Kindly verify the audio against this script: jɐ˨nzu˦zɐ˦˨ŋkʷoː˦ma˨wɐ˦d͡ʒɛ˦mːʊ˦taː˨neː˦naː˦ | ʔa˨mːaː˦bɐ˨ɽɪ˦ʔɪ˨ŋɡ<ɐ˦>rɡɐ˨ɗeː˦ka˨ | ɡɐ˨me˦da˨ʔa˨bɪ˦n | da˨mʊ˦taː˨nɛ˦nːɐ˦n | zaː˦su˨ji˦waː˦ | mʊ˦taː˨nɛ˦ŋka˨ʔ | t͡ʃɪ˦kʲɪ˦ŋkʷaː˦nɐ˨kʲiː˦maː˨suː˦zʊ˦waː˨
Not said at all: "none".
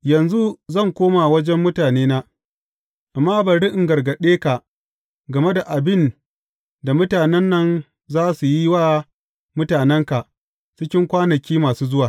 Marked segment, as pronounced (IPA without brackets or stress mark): ɐ˨